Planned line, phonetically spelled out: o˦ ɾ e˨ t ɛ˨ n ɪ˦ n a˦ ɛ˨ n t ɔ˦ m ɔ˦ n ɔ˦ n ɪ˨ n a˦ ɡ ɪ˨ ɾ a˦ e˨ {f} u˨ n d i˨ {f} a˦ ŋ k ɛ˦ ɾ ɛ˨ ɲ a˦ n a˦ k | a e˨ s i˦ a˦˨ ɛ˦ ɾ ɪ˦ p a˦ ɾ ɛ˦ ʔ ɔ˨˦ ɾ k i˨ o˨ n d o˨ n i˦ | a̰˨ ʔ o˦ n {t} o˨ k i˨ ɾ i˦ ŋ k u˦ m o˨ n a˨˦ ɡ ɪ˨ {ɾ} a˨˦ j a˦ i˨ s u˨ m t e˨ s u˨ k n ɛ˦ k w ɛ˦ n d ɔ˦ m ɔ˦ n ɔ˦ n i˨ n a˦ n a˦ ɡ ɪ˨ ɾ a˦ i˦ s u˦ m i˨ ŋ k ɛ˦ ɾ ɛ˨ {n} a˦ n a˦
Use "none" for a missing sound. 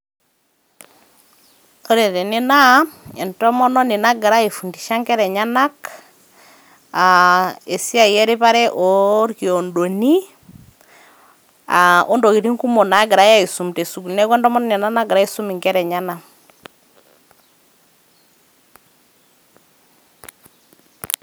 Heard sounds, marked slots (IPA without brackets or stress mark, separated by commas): f, ʃ, d, ɾ, ɲ